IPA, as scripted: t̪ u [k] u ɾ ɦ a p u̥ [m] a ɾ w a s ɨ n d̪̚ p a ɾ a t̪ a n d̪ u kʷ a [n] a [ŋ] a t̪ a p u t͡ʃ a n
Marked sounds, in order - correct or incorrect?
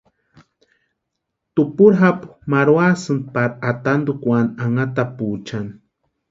incorrect: p, correct, correct, correct

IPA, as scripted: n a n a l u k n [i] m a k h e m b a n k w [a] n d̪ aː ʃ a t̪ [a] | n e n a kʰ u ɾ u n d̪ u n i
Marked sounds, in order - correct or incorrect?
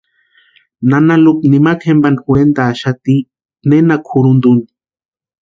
correct, incorrect: e, incorrect: i

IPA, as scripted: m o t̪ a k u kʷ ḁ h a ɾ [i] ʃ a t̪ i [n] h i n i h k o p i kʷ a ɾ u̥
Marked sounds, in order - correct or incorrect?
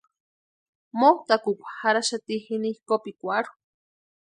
incorrect: a, incorrect: none

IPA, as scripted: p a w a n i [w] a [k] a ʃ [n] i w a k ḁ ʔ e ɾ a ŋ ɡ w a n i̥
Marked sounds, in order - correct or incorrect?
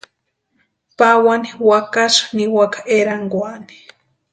correct, correct, correct

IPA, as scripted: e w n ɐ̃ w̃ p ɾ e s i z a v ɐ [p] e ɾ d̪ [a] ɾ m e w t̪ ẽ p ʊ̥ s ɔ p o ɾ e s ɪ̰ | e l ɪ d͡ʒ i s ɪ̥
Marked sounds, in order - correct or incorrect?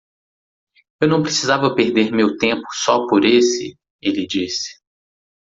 correct, incorrect: e

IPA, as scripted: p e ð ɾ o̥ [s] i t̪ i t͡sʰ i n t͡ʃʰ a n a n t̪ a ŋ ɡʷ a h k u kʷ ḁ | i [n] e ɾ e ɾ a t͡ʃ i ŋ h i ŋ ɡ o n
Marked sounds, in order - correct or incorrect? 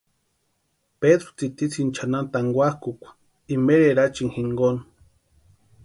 incorrect: t͡s, incorrect: m

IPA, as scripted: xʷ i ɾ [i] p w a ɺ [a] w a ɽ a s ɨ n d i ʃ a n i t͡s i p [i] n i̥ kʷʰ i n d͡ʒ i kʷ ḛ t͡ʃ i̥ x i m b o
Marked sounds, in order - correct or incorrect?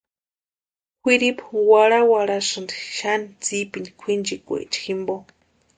correct, correct, correct

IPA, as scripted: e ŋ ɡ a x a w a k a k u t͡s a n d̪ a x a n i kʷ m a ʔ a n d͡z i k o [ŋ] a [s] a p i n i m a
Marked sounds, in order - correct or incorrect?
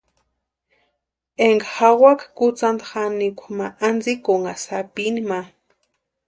correct, correct

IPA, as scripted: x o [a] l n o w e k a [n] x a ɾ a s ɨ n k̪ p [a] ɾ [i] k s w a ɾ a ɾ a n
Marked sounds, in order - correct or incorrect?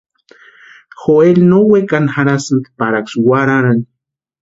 incorrect: e, correct, correct, incorrect: a

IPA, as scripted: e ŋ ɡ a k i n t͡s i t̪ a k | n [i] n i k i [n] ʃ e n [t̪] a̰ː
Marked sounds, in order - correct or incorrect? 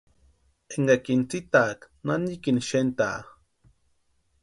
incorrect: a, correct, correct

